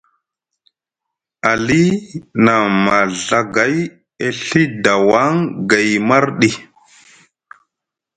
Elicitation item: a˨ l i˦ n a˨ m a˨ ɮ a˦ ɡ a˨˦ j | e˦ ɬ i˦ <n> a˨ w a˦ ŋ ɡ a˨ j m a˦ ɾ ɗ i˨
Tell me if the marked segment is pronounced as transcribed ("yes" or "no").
no